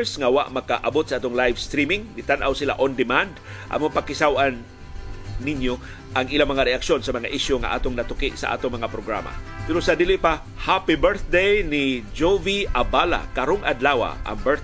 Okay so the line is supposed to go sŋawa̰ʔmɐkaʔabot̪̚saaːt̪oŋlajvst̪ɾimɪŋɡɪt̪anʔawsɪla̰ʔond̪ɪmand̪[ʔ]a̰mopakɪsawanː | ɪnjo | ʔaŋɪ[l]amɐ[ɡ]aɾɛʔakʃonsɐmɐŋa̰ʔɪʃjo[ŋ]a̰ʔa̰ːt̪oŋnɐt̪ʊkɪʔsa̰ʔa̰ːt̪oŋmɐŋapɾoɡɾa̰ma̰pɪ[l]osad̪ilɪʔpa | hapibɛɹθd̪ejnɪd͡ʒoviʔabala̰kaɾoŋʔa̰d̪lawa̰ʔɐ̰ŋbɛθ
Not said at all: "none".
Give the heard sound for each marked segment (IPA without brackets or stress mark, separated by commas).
ʔ, l, ŋ, ŋ, ɾ